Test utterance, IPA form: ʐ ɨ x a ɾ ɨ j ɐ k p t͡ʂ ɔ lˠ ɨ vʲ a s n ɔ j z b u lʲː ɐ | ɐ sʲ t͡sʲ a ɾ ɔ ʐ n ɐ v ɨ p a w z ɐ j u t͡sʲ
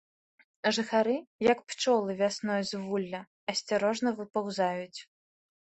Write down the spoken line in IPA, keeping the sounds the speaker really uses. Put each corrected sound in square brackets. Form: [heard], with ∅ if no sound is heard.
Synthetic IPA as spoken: ʐ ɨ x a ɾ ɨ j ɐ k p t͡ʂ ɔ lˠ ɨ vʲ a s n ɔ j z [v] u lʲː ɐ | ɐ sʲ t͡sʲ a ɾ ɔ ʐ n ɐ v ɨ p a w z [a] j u t͡sʲ